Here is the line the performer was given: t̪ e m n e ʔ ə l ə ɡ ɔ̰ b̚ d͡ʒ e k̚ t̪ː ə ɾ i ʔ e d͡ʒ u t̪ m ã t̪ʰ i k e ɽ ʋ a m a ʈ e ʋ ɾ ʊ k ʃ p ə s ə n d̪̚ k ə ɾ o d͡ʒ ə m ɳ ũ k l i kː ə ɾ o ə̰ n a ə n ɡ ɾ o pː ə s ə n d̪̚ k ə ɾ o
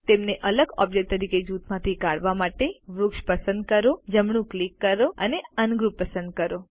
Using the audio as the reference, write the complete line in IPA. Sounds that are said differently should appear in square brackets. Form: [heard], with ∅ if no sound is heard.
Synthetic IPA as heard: t̪ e m n e ʔ ə l ə ɡ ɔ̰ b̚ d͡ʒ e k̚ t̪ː ə ɾ i [k] e d͡ʒ u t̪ m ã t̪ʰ i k [a] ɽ ʋ a m a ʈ e ʋ ɾ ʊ k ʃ p ə s ə n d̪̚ k ə ɾ o d͡ʒ ə m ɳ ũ k l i kː ə ɾ o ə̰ n [e] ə n ɡ ɾ [u] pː ə s ə n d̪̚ k ə ɾ o

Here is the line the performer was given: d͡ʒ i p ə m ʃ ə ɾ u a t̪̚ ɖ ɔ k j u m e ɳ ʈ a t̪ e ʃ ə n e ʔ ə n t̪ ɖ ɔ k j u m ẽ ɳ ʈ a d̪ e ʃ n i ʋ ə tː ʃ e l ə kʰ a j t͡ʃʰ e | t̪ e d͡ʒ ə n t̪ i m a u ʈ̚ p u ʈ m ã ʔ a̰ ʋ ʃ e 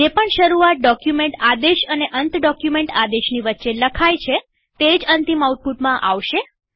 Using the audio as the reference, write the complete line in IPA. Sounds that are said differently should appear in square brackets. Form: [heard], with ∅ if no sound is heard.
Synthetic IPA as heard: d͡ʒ [e] p ə [ɳ] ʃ ə ɾ u a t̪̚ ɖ ɔ k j u m e ɳ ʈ a [d̪] e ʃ ə n e ʔ ə n t̪ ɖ ɔ k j u m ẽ ɳ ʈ a d̪ e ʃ n i ʋ ə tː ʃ e l ə kʰ a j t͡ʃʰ e | t̪ e d͡ʒ ə n t̪ i m a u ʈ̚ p u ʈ m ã ʔ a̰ ʋ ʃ e

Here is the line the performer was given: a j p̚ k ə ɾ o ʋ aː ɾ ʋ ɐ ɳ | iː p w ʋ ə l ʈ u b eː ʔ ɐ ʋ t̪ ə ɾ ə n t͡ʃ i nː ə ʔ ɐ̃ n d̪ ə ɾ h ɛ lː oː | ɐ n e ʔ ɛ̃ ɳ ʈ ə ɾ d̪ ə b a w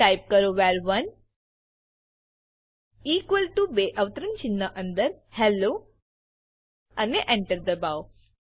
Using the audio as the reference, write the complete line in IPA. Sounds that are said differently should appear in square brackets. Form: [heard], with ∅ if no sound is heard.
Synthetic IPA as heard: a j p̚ k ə ɾ o ʋ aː ɾ ʋ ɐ [n] | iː [k] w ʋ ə l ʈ u b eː ʔ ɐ ʋ t̪ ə ɾ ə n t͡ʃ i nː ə ʔ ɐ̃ n d̪ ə ɾ h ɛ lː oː | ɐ n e ʔ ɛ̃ ɳ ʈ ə ɾ d̪ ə b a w

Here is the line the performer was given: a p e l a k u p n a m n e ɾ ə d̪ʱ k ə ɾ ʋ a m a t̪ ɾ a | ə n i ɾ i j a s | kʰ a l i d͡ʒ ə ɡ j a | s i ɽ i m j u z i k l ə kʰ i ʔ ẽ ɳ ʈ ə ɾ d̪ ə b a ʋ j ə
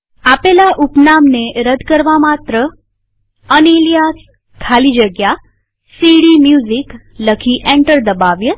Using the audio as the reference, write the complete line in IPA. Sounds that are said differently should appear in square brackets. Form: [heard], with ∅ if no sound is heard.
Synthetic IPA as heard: a p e l a [ʔ] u p n a m n e ɾ ə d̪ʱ k ə ɾ ʋ a m a t̪ ɾ [ə] | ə n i [l] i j a s | kʰ a l i d͡ʒ ə ɡ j a | s i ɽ i m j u z i k l ə kʰ i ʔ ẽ ɳ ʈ ə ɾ d̪ ə b a ʋ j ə

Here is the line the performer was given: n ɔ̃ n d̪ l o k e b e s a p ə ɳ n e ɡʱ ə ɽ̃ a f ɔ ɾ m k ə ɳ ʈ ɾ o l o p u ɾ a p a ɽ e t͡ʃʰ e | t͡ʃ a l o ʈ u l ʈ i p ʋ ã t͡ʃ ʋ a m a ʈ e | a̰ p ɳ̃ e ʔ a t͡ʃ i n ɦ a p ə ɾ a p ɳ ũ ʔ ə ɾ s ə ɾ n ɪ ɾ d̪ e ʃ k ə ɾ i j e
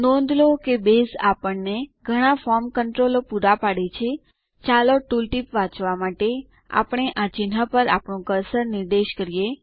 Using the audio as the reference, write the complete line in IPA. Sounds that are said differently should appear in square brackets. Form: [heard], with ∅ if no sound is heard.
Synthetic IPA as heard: n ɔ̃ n d̪ l o k e b e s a p ə ɳ n e ɡʱ ə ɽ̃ a f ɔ ɾ m k ə ɳ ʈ ɾ o l o p u ɾ a p a ɽ e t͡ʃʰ e | t͡ʃ a l o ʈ u l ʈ i p ʋ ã t͡ʃ ʋ a m a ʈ e | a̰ p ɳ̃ e ʔ a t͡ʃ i n ɦ a p ə ɾ a p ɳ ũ [k] ə ɾ s ə ɾ n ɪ ɾ d̪ e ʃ k ə ɾ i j e

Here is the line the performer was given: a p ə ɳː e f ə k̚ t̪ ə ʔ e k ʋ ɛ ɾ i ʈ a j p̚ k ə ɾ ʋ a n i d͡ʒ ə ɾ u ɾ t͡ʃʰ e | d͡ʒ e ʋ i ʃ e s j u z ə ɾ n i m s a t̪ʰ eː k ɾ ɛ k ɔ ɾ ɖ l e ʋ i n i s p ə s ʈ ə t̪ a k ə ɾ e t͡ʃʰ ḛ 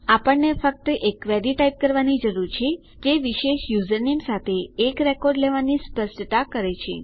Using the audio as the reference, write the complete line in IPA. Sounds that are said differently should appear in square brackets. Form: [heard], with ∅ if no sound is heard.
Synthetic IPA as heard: a p ə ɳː e f ə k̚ t̪ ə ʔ e k ʋ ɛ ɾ i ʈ a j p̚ k ə ɾ ʋ a n i d͡ʒ ə ɾ u ɾ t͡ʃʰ e | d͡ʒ e ʋ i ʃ e [ʃ] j u z ə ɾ n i m s a t̪ʰ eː k ɾ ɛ k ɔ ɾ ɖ l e ʋ [a] n i s p ə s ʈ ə t̪ a k ə ɾ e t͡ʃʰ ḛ

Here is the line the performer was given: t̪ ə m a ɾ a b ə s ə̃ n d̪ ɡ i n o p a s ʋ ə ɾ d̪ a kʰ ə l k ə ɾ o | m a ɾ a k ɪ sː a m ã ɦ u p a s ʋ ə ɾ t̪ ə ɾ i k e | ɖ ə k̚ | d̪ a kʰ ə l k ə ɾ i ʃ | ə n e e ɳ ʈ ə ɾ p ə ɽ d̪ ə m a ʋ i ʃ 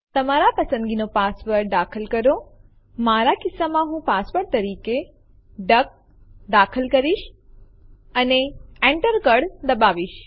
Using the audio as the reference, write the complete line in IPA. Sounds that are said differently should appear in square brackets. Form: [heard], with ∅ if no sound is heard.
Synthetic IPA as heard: t̪ ə m a ɾ a [p] ə s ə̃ n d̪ ɡ i n o p a s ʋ ə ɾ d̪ a kʰ ə l k ə ɾ o | m a ɾ a k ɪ sː a m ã ɦ [ũ] p a s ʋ ə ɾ t̪ ə ɾ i k e | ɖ ə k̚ | d̪ a kʰ ə l k ə ɾ i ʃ | ə n e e ɳ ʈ ə ɾ [k] ə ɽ d̪ ə [b] a ʋ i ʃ

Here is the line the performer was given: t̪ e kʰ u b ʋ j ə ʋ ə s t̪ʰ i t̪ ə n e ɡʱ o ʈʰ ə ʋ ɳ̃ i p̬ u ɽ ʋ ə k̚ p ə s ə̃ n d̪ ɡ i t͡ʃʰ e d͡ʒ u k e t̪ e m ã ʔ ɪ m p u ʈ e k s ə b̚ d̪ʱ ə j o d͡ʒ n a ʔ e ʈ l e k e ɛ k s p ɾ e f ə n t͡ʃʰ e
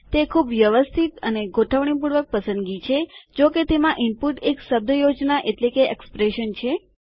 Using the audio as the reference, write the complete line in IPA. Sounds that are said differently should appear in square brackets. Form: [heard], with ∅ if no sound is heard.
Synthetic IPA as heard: t̪ e kʰ u b ʋ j ə ʋ ə s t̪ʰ i t̪ ə n e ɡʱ o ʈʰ ə ʋ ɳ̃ i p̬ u ɽ ʋ ə k̚ p ə s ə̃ n d̪ ɡ i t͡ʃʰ e d͡ʒ [o] k e t̪ e m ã ʔ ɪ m p u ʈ e k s ə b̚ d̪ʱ ə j o d͡ʒ n a ʔ e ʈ l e k e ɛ k s p ɾ e [ʃ] ə n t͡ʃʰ e

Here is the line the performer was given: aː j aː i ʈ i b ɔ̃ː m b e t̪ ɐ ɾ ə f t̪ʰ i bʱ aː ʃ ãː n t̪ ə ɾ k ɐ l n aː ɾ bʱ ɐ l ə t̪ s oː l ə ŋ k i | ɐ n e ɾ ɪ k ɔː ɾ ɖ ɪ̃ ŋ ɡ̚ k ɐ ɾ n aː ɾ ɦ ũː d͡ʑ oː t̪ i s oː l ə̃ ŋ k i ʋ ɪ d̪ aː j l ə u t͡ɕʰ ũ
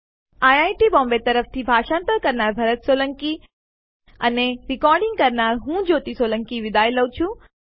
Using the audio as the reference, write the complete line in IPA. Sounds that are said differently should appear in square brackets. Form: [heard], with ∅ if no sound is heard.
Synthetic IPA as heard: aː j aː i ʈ i b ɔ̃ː m b e t̪ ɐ ɾ ə f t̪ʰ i bʱ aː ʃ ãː n t̪ ə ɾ k ɐ [ɾ] n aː ɾ bʱ ɐ [ɾ] ə t̪ s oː l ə ŋ k i | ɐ n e ɾ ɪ k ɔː ɾ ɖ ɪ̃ ŋ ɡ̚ k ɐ ɾ n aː ɾ ɦ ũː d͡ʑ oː t̪ i s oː l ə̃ ŋ k i ʋ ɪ d̪ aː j l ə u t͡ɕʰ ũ

